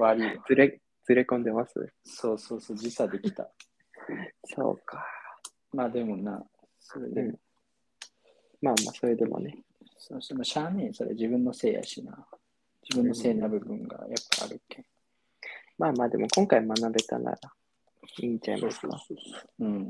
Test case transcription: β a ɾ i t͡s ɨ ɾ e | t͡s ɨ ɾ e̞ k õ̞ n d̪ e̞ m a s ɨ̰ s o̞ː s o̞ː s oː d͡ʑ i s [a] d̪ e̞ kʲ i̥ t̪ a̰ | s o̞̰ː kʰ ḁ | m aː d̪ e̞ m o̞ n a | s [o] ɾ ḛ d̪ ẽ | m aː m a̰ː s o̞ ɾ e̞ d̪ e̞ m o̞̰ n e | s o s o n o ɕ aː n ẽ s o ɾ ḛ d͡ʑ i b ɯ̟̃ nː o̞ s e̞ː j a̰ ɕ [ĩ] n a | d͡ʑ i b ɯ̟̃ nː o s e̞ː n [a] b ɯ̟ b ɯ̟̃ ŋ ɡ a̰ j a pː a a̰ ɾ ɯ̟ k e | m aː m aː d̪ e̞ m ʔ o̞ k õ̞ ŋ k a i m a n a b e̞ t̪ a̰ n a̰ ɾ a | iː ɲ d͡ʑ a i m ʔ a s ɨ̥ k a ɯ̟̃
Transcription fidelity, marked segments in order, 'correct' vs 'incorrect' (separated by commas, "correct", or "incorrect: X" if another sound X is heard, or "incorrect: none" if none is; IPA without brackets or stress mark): correct, correct, incorrect: i, correct